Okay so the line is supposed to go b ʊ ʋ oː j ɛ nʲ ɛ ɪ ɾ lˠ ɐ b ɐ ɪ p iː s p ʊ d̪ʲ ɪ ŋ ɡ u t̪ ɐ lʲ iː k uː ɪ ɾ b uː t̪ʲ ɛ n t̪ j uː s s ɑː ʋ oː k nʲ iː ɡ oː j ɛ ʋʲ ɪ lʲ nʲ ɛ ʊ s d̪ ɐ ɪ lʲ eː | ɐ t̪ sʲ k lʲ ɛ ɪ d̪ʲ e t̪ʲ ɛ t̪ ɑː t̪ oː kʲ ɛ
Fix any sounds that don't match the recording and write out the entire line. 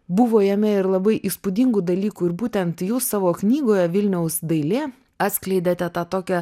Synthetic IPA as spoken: b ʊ ʋ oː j ɛ mʲ ɛ ɪ ɾ lˠ ɐ b ɐ ɪ ʔ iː s p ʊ d̪ʲ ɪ ŋ ɡ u d̪ ɐ lʲ iː k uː ɪ ɾ b uː t̪ʲ ɛ n t̪ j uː s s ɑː ʋ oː k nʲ iː ɡ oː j ɛ ʋʲ ɪ lʲ nʲ ɛ ʊ s d̪ ɐ ɪ lʲ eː | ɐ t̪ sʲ k lʲ ɛ ɪ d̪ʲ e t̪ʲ ɛ t̪ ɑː t̪ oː kʲ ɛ

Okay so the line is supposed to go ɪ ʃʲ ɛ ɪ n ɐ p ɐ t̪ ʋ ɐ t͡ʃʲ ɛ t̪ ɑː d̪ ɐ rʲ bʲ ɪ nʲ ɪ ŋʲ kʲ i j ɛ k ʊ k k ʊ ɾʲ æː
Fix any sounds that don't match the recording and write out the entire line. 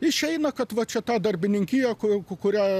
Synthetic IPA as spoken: ɪ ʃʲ ɛ ɪ n ɐ k ɐ t̪ ʋ ɐ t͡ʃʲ ɛ t̪ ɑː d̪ ɐ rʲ bʲ ɪ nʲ ɪ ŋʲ kʲ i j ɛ k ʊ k k ʊ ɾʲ æː

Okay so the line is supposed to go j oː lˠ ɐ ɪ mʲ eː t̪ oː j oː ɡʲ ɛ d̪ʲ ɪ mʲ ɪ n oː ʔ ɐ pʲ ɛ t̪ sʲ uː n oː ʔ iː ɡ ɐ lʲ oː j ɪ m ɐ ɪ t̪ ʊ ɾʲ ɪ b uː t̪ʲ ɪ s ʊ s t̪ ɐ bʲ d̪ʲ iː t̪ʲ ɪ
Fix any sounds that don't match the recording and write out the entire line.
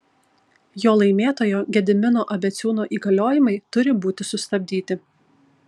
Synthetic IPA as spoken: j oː lˠ ɐ ɪ mʲ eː t̪ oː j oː ɡʲ ɛ d̪ʲ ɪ mʲ ɪ n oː ʔ ɐ bʲ ɛ t̪ sʲ uː n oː ʔ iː ɡ ɐ lʲ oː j ɪ m ɐ ɪ t̪ ʊ ɾʲ ɪ b uː t̪ʲ ɪ s ʊ s t̪ ɐ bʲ d̪ʲ iː t̪ʲ ɪ

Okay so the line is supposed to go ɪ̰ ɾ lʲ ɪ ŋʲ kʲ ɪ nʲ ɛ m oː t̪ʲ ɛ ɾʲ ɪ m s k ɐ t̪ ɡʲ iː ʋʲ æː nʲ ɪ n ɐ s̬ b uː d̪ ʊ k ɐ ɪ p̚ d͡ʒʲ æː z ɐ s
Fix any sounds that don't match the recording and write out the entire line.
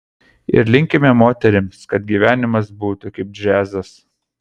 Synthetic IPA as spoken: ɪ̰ ɾ lʲ ɪ ŋʲ kʲ ɪ mʲ ɛ m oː t̪ʲ ɛ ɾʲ ɪ m s k ɐ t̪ ɡʲ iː ʋʲ æː nʲ ɪ m ɐ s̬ b uː t̪ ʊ k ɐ ɪ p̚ d͡ʒʲ æː z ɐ s

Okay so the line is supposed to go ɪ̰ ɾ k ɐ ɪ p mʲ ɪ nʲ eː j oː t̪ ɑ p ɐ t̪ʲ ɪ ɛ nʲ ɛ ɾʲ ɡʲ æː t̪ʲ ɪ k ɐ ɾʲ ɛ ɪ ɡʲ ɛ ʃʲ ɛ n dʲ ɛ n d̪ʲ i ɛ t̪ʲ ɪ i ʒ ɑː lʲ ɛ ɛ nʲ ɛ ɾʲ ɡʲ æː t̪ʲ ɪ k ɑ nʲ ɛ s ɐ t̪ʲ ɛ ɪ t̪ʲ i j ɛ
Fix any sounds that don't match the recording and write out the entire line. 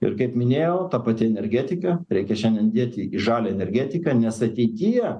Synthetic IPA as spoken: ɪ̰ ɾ k ɐ ɪ p mʲ ɪ nʲ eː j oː t̪ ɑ p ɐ t̪ʲ ɪ ɛ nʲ ɛ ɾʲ ɡʲ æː t̪ʲ ɪ k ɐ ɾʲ ɛ ɪ kʲ ɛ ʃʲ ɛ n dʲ ɛ n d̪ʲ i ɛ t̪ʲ ɪ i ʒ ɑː lʲ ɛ ɛ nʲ ɛ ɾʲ ɡʲ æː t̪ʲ ɪ k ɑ nʲ ɛ s ɐ t̪ʲ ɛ ɪ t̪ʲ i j ɛ

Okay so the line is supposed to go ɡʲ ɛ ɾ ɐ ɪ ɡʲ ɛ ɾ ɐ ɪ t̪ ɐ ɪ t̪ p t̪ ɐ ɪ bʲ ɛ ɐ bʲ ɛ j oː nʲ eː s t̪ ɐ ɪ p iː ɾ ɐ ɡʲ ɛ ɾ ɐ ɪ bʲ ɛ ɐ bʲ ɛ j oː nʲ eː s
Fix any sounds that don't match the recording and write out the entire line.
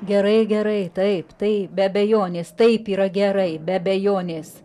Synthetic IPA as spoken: ɡʲ ɛ ɾ ɐ ɪ ɡʲ ɛ ɾ ɐ ɪ t̪ ɐ ɪ p t̪ ɐ ɪ bʲ ɛ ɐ bʲ ɛ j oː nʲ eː s t̪ ɐ ɪ p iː ɾ ɐ ɡʲ ɛ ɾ ɐ ɪ bʲ ɛ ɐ bʲ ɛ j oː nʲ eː s

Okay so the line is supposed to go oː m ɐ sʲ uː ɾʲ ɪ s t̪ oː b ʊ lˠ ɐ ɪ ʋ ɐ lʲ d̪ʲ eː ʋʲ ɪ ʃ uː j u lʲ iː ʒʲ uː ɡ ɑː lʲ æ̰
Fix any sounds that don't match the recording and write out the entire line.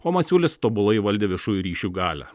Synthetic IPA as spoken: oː m ɐ sʲ uː lʲ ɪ s t̪ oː b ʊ lˠ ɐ ɪ ʋ ɐ lʲ d̪ʲ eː ʋʲ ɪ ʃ uː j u ɾʲ iː ʃʲ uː ɡ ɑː lʲ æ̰

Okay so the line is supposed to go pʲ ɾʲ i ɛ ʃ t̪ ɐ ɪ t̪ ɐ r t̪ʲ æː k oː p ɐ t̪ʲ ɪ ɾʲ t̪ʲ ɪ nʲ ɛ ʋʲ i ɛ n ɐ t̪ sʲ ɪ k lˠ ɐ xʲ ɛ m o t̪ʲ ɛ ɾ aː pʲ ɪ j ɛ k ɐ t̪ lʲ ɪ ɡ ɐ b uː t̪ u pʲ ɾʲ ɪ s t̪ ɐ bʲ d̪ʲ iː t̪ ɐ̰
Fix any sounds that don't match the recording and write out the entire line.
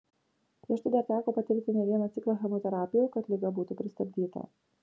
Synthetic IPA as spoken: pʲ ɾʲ i ɛ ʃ t̪ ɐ ɪ d̪ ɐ ɾ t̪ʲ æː k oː p ɐ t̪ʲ ɪ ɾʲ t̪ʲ ɪ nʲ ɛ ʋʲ i ɛ n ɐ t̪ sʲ ɪ k lˠ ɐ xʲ ɛ m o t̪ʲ ɛ ɾ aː pʲ ɪ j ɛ k ɐ t̪ lʲ ɪ ɡ ɐ b uː t̪ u pʲ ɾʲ ɪ s t̪ ɐ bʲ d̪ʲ iː t̪ ɐ̰

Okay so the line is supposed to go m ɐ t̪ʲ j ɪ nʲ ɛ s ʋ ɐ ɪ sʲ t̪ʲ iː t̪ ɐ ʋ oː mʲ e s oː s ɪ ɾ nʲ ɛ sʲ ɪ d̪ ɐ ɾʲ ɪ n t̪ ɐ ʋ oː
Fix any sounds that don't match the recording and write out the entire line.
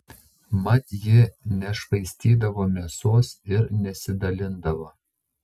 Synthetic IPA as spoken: m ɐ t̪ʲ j ɪ nʲ ɛ ʃ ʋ ɐ ɪ sʲ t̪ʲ iː d̪ ɐ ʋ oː mʲ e s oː s ɪ ɾ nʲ ɛ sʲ ɪ d̪ ɐ lʲ ɪ n d̪ ɐ ʋ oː

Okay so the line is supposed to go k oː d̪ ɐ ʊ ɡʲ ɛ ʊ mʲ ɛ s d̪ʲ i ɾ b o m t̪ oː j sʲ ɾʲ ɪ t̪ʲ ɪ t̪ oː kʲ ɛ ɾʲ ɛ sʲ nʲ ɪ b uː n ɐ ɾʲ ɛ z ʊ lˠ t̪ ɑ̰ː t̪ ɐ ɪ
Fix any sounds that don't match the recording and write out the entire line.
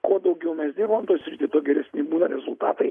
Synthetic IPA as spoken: k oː d̪ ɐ ʊ ɡʲ ɛ ʊ mʲ ɛ s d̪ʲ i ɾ b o m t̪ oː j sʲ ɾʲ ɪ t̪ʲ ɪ t̪ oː ɡʲ ɛ ɾʲ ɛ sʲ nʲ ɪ b uː n ɐ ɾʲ ɛ z ʊ lˠ t̪ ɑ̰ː t̪ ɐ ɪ

